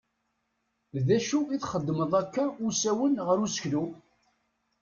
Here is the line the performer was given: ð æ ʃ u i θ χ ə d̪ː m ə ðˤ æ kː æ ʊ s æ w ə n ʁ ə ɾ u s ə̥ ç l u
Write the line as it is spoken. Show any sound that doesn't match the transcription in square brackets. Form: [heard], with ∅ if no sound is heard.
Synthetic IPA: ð æ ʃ u i θ χ ə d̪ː m ə ðˤ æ kː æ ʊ s æ w ə n ʁ ə ɾ u s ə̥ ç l u